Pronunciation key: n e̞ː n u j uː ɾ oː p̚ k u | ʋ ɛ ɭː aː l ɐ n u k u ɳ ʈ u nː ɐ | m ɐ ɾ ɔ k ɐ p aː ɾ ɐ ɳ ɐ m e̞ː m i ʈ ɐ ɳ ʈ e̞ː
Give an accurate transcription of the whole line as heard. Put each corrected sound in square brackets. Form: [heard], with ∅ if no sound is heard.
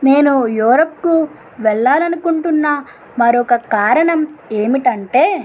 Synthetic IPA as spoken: n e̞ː n u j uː ɾ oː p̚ k u | ʋ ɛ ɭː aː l ɐ n u k u ɳ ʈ u nː ɐ | m ɐ ɾ ɔ k ɐ [k] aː ɾ ɐ ɳ ɐ m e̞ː m i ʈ ɐ ɳ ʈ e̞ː